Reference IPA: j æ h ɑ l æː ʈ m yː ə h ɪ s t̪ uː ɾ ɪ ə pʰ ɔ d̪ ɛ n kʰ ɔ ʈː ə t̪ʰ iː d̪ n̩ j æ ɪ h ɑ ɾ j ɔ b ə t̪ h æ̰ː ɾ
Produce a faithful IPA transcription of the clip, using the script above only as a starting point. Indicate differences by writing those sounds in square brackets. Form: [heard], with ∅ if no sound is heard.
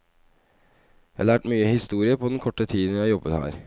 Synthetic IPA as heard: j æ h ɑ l æː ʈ m yː ə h ɪ s t̪ uː ɾ ɪ ə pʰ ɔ d̪ ɛ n kʰ ɔ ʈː ə t̪ʰ iː d̪ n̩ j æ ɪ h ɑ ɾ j ɔ b ə t̪ h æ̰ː ɾ